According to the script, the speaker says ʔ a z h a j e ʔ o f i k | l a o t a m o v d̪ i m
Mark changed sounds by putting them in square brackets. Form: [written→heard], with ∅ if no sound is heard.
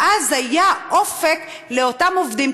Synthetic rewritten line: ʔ a z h a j [e→a] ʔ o f [i→e] k | l [a→e] o t a m o v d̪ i m